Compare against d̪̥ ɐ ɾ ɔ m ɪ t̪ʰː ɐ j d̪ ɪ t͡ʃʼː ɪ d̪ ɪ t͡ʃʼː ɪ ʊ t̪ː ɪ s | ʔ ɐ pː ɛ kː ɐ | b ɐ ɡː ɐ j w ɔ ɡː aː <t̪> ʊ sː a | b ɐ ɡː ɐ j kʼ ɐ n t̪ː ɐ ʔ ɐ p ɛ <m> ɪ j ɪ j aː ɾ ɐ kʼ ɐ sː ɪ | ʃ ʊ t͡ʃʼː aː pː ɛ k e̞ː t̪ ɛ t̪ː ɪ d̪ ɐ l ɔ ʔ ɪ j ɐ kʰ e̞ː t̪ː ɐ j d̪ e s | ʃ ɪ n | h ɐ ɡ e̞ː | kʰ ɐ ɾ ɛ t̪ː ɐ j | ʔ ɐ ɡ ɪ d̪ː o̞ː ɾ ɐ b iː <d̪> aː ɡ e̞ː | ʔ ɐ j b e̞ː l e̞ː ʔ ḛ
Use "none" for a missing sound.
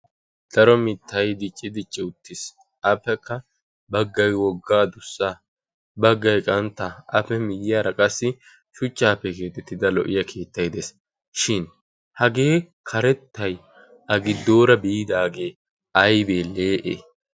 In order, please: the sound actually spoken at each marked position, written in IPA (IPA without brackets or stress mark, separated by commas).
d̪, m, d̪